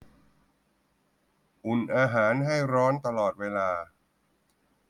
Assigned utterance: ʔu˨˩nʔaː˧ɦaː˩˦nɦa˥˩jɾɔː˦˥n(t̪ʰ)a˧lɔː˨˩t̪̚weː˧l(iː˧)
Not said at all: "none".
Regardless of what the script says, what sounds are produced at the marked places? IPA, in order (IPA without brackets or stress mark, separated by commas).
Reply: t̪, aː˧